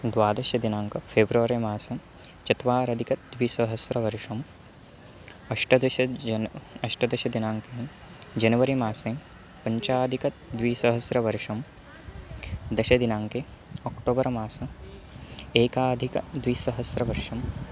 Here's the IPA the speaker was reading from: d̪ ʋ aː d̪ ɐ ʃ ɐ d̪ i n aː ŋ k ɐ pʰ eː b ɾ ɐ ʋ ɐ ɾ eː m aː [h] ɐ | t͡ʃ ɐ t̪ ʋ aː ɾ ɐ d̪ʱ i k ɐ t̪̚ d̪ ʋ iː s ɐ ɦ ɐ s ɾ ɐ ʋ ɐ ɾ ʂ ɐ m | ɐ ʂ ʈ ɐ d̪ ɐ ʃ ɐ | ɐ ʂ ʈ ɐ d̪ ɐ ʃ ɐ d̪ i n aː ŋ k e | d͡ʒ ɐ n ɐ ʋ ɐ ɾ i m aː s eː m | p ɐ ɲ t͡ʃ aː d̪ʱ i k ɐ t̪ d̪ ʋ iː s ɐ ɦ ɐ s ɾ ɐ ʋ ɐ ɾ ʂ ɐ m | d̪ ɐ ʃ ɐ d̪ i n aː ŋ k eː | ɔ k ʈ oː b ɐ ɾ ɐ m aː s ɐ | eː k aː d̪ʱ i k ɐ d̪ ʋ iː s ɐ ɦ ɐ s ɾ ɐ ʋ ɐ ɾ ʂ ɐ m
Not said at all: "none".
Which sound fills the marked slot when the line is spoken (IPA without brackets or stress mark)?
s